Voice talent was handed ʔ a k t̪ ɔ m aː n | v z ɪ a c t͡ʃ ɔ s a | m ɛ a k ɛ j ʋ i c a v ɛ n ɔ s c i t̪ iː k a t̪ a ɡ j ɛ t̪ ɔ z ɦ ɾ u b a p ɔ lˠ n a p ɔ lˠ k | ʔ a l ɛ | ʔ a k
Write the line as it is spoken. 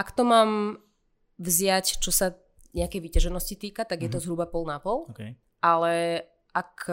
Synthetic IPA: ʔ a k t̪ ɔ m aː m | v z ɪ a c t͡ʃ ɔ s a | ɲ ɛ a k ɛ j ʋ i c a ʒ ɛ n ɔ s c i t̪ iː k a t̪ a ɡ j ɛ t̪ ɔ z ɦ ɾ u b a p ɔ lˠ n a p ɔ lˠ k | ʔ a l ɛ | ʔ a k